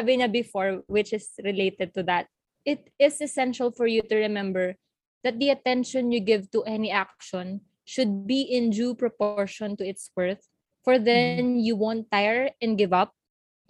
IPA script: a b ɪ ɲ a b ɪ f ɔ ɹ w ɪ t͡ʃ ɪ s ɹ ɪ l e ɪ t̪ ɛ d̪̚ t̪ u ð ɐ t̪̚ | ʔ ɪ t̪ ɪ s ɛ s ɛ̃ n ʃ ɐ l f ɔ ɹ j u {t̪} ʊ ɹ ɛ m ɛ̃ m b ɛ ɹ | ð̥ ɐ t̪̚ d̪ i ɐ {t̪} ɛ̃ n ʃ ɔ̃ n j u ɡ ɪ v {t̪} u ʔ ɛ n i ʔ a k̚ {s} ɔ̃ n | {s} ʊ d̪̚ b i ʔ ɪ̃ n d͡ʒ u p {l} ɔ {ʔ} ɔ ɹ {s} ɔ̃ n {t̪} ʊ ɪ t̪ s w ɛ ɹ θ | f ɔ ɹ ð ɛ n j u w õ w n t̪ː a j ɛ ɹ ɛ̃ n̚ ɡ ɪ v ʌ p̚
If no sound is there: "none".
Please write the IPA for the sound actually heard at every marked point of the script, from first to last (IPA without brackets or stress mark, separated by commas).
t̪, t̪, t̪, ʃ, ʃ, ɹ, p, ʃ, t̪